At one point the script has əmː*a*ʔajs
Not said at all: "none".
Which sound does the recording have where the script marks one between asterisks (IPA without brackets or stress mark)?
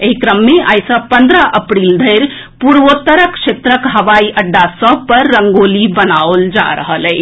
e